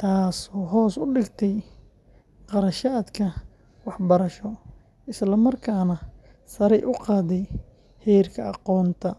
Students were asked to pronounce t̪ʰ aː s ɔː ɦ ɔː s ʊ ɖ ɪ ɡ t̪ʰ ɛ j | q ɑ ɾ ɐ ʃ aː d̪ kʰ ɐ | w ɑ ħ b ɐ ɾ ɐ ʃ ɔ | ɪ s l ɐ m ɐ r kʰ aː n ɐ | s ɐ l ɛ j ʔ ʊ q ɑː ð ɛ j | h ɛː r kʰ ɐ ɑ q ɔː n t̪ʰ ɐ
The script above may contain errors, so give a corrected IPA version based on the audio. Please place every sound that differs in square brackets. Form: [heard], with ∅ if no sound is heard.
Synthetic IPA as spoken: t̪ʰ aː s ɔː ɦ ɔː s ʊ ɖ ɪ ɡ t̪ʰ ɛ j | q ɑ ɾ ɐ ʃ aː d̪ kʰ ɐ | w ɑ ħ b ɐ ɾ ɐ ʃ ɔ | ɪ s l ɐ m ɐ r kʰ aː n ɐ | s ɐ [ɾ] ɛ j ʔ ʊ q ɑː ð ɛ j | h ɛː r kʰ ɐ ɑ q ɔː n t̪ʰ ɐ